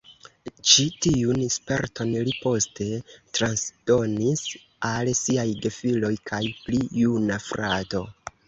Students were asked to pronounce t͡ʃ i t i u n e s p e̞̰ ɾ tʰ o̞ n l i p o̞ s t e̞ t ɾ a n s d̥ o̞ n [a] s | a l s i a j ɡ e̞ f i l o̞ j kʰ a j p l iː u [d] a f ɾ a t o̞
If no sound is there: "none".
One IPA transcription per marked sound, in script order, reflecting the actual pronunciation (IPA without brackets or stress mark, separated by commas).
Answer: i, n